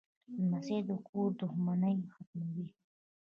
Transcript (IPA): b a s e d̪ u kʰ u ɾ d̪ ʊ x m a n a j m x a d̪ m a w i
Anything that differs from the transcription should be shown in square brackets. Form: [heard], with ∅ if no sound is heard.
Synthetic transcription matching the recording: [m] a s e d̪ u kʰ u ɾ d̪ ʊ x m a n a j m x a [t̪] m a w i